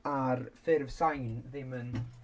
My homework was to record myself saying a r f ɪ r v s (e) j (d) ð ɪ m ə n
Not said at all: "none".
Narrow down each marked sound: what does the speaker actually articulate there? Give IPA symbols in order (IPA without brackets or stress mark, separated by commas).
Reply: a, n